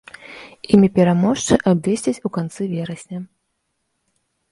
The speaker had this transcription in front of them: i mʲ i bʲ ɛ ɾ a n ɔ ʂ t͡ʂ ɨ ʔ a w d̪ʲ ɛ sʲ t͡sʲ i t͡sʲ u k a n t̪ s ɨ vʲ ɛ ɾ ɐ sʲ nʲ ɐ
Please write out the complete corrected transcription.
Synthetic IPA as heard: i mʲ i pʲ ɛ ɾ a m ɔ ʂ t͡ʂ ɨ ʔ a b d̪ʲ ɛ sʲ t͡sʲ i t͡sʲ u k a n t̪ s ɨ vʲ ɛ ɾ ɐ sʲ nʲ ɐ